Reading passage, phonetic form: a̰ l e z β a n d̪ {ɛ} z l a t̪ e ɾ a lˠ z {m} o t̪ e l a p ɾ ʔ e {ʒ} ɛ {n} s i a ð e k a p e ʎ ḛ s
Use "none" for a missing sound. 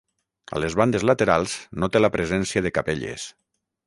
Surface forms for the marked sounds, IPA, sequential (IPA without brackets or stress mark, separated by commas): e, n, z, n